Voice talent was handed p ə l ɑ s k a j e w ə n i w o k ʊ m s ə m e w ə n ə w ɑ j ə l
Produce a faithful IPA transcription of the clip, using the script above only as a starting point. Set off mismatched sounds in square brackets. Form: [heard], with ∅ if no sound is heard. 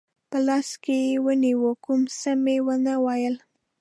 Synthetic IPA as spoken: p ə l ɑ s k [e] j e w ə n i w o k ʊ m s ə m e w ə n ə w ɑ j ə l